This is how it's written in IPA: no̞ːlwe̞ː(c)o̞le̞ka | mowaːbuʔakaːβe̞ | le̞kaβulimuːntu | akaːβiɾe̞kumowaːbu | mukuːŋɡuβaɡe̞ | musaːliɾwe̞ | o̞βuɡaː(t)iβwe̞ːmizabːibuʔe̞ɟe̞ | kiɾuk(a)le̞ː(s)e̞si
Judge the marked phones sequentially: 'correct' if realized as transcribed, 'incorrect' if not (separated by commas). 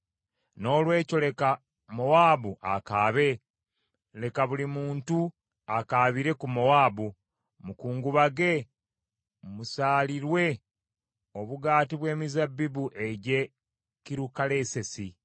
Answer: correct, correct, correct, correct